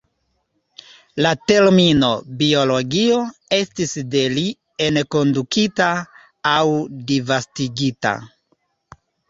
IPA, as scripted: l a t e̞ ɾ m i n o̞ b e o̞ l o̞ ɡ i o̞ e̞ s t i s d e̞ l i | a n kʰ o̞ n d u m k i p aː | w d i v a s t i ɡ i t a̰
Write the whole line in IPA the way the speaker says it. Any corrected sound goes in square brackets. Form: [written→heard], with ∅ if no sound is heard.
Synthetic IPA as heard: l a t e̞ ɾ m i n o̞ b [e→i] o̞ l o̞ ɡ i o̞ e̞ s t i s d e̞ l i | [a→e] n [kʰ→k] o̞ n d u [m→∅] k i [p→t] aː | w d i v a s t i ɡ i t a̰